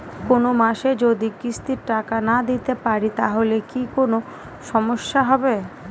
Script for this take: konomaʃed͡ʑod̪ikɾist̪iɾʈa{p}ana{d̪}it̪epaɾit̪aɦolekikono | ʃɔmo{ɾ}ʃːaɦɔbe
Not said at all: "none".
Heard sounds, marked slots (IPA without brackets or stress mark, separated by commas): k, d̪, none